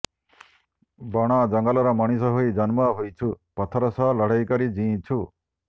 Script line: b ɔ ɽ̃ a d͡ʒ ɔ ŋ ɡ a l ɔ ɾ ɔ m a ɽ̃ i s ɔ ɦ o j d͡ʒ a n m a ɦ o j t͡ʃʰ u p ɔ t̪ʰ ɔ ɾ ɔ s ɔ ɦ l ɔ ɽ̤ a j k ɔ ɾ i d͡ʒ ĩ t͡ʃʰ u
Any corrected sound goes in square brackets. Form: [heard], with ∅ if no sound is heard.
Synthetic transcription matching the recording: b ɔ ɽ̃ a d͡ʒ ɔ ŋ ɡ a l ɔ ɾ ɔ m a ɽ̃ i s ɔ ɦ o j d͡ʒ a n m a ɦ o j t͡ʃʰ u p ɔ t̪ʰ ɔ ɾ ɔ s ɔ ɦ l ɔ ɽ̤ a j k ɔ ɾ i d͡ʒ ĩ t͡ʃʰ u